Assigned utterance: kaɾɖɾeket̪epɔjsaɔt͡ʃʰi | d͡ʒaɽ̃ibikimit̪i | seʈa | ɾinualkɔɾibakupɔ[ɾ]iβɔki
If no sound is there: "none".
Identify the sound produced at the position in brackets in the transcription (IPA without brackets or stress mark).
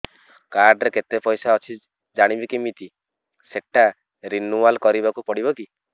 ɽ